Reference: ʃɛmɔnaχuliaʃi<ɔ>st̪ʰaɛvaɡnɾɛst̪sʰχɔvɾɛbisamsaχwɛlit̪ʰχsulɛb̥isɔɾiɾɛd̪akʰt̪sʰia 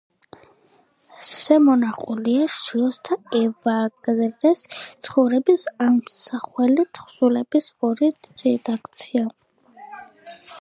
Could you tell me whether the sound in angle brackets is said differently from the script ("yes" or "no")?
no